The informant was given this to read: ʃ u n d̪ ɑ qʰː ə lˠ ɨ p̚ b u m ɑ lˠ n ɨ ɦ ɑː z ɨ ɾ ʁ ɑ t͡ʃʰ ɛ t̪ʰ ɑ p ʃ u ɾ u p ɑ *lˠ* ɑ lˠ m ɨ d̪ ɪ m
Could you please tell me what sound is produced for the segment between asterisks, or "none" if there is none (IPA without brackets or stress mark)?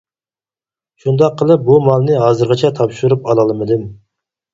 lˠ